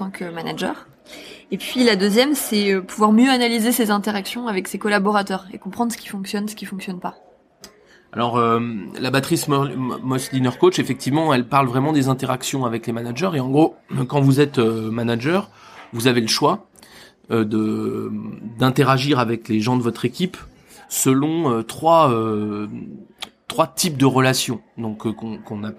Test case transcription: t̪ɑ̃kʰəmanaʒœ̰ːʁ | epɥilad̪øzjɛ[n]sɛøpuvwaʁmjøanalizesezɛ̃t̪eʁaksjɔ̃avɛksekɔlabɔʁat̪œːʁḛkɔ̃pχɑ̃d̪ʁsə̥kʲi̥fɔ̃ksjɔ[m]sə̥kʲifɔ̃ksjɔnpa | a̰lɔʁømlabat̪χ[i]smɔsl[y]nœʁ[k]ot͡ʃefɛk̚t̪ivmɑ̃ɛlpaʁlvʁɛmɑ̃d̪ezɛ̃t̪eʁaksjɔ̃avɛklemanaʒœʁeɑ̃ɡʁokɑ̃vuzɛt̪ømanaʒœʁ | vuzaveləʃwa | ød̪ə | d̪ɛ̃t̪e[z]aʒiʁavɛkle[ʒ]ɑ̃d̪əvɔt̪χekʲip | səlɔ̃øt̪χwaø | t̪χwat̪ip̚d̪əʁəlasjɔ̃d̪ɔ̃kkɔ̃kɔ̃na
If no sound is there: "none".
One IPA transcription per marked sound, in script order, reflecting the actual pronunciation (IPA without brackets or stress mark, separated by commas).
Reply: m, n, i, i, k, ʁ, ʒ